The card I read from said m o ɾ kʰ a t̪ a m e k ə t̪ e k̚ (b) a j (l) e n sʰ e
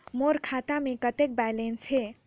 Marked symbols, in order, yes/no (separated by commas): yes, yes